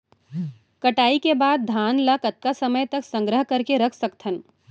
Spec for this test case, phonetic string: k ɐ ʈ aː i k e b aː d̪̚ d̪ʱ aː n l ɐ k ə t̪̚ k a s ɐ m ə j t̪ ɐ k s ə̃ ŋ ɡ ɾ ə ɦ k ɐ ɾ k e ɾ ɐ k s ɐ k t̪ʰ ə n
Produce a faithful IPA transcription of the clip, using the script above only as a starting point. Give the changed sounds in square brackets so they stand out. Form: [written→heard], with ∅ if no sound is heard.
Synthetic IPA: k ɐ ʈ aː i k e b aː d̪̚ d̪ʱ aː n l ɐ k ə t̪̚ k a s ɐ m ə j t̪ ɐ k s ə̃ ŋ ɡ ɾ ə ɦ k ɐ ɾ k e ɾ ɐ [k→kʰ] s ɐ k t̪ʰ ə n